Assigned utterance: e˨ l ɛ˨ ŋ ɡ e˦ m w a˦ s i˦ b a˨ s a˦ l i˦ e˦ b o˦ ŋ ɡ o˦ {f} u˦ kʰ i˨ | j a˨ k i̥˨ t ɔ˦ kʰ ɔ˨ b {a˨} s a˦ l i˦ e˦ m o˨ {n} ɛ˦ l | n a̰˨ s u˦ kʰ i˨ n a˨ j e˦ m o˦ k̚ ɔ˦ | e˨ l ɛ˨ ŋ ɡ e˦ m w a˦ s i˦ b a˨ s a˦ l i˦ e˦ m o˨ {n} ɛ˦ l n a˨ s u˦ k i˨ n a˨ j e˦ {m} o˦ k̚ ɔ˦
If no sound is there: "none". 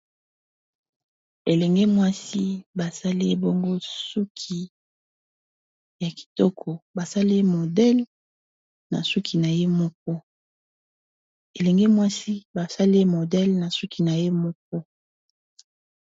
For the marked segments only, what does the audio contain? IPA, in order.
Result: s, a˨, d, d, m

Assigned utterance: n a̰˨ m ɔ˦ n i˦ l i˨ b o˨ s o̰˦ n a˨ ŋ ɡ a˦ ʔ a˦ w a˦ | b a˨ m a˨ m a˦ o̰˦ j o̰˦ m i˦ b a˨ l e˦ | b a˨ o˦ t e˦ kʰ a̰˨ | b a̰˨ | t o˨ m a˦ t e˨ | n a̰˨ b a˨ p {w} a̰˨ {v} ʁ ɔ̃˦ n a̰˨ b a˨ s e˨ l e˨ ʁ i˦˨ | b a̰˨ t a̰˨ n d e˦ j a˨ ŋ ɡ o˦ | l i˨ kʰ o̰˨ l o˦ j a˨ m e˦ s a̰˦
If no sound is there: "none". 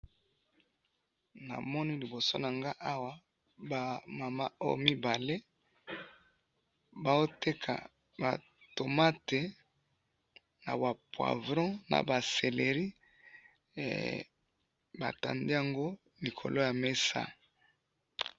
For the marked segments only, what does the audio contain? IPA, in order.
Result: w, v

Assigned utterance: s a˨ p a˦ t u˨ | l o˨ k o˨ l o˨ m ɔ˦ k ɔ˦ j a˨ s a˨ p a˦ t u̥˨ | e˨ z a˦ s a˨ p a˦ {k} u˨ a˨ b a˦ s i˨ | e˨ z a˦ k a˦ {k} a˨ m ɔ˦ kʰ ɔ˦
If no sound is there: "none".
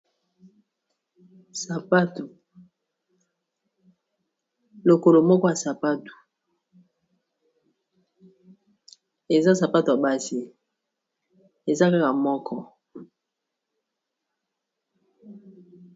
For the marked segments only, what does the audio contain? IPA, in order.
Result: t, k

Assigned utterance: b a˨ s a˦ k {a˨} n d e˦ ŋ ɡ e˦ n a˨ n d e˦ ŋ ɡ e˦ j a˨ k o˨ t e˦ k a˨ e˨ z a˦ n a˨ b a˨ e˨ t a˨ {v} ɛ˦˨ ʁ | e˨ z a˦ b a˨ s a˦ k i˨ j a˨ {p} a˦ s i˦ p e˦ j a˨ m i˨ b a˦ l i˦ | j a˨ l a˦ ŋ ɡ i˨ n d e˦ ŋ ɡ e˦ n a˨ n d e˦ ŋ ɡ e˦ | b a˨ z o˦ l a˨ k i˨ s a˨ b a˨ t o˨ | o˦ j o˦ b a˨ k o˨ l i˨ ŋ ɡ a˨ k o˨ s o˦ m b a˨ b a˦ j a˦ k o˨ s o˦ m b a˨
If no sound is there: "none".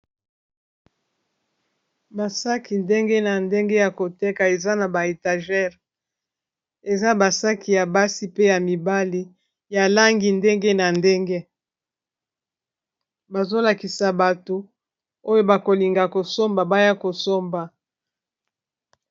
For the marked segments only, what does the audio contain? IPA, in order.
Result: i˨, ʒ, b

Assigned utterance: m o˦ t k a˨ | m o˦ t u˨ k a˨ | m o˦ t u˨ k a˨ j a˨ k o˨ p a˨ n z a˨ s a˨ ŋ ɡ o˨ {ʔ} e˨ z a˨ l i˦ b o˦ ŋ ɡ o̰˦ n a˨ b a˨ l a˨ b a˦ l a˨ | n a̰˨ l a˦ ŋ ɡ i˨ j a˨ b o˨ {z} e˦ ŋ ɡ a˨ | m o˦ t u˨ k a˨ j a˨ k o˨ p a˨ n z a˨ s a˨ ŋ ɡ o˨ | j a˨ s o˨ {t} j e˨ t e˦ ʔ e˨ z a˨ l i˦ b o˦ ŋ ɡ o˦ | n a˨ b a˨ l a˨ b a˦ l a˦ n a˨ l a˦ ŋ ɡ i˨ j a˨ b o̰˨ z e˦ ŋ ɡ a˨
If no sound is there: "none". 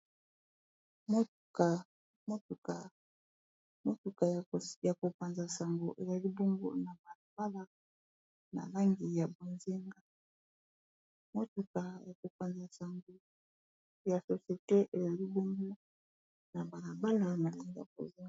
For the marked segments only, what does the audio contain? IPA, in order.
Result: ʔ, z, s

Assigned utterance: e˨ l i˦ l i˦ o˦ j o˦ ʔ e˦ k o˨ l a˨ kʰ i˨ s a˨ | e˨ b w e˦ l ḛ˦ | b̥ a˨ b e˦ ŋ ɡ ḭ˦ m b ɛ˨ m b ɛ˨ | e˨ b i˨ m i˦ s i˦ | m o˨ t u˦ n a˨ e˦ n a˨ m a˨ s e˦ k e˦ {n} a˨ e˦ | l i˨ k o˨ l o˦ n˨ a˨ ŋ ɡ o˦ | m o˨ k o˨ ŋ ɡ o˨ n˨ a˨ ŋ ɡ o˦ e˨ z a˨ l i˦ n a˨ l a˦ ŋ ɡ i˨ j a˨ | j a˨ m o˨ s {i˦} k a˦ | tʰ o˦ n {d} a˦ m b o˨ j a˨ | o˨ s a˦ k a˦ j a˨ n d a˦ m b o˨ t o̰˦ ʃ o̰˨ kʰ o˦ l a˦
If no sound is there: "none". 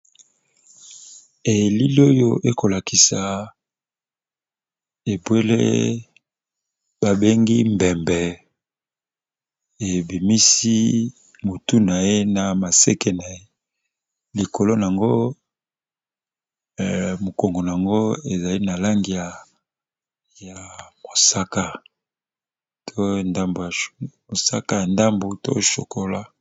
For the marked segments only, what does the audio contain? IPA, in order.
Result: n, a˦, d

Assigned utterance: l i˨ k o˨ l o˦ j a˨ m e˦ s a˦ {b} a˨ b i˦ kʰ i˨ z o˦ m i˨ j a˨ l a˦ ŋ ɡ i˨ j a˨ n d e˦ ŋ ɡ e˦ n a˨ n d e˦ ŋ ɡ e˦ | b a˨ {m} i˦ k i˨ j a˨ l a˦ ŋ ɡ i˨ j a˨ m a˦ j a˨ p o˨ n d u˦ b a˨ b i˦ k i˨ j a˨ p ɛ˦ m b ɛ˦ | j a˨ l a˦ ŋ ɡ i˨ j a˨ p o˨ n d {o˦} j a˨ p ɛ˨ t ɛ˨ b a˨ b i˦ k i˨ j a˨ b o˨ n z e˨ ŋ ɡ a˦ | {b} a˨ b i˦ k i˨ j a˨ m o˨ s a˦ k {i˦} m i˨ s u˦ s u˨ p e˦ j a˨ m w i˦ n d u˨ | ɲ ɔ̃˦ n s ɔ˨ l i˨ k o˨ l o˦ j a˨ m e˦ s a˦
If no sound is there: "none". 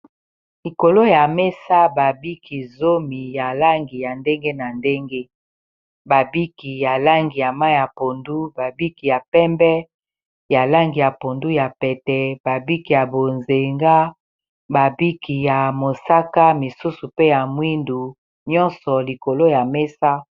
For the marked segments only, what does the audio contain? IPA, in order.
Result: b, b, u˦, b, a˦

